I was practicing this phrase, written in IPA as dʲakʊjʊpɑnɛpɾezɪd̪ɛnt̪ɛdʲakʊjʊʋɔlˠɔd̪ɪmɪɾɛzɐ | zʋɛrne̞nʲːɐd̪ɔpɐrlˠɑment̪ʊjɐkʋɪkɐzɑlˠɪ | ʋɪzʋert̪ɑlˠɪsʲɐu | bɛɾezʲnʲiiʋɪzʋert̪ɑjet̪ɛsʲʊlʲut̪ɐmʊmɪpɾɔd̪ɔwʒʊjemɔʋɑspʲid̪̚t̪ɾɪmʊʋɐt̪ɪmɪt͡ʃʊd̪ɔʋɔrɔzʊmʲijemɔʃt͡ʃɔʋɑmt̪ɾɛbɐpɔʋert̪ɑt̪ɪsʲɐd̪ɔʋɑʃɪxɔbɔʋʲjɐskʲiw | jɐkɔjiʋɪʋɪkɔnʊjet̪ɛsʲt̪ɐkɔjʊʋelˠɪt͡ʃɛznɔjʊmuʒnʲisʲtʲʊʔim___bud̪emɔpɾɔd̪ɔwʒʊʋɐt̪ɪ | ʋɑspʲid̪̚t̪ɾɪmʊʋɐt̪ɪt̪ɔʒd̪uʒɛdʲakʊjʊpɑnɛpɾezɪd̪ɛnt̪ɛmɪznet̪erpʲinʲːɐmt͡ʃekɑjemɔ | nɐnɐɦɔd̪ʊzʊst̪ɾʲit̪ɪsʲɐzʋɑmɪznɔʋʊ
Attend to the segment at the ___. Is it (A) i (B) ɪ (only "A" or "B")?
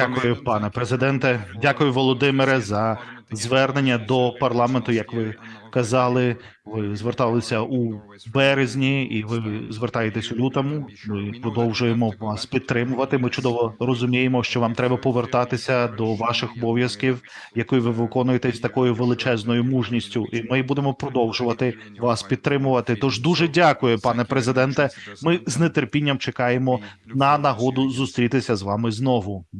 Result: B